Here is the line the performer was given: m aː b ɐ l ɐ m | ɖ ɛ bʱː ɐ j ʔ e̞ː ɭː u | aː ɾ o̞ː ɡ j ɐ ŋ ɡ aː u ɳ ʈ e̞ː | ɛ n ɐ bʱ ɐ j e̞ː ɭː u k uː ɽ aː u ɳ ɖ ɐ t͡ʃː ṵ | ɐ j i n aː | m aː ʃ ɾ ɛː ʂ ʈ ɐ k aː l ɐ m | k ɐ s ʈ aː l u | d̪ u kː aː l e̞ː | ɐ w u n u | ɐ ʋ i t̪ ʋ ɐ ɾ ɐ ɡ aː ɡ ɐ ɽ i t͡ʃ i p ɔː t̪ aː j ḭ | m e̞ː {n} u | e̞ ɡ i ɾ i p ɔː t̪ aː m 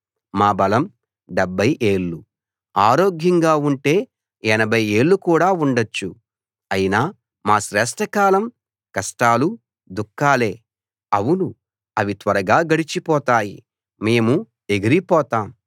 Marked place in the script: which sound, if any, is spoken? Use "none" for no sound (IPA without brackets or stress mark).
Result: m